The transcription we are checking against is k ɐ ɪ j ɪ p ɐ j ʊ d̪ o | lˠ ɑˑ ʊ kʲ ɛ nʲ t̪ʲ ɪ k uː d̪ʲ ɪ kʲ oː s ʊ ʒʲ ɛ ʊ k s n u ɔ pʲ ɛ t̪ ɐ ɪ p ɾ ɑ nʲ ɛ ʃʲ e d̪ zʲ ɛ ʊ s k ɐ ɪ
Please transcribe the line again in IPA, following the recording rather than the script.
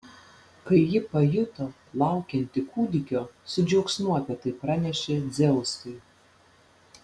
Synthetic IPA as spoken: k ɐ ɪ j ɪ p ɐ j ʊ t̪ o | lˠ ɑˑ ʊ kʲ ɛ nʲ t̪ʲ ɪ k uː d̪ʲ ɪ kʲ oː s ʊ d͡ʒʲ ɛ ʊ k s n u ɔ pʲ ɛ t̪ ɐ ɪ p ɾ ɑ nʲ ɛ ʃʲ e d̪ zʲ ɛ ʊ s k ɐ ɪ